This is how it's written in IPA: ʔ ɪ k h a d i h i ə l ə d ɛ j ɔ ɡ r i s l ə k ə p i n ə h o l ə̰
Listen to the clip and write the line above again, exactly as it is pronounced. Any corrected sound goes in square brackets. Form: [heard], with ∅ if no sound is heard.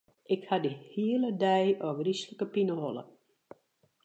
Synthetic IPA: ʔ ɪ k h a d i h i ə l ə d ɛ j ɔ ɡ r i s l ə k ə p i n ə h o l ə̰